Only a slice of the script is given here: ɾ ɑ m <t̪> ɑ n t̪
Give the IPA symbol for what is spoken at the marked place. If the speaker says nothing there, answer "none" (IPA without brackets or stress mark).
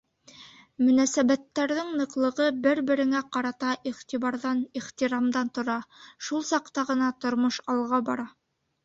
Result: d̪